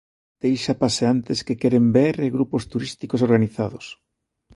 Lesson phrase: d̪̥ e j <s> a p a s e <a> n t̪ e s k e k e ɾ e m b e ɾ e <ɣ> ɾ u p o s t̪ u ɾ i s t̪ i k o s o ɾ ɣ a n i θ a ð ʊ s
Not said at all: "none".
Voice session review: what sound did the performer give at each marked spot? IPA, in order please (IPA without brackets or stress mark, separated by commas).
ʃ, a, ɣ